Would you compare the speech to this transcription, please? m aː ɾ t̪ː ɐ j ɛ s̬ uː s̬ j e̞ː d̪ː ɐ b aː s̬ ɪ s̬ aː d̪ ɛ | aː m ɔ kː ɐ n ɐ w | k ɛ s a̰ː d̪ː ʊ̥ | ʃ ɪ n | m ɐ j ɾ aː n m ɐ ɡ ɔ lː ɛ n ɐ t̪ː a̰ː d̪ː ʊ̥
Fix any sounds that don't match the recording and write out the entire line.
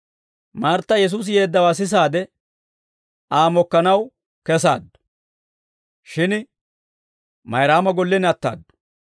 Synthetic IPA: m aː ɾ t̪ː ɐ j ɛ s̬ uː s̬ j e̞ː d̪ː ɐ w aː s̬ ɪ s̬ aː d̪ ɛ | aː m ɔ kː ɐ n ɐ w | k ɛ s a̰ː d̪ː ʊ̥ | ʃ ɪ n | m ɐ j ɾ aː m ɐ ɡ ɔ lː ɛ n ɐ t̪ː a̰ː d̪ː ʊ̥